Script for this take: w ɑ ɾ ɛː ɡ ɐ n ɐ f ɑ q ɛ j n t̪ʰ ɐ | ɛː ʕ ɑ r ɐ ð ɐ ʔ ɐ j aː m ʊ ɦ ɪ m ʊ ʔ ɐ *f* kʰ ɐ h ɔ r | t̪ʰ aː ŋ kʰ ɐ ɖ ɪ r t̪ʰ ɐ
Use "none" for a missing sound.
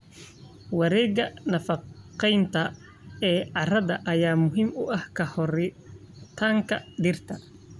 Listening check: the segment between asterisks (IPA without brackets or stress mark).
h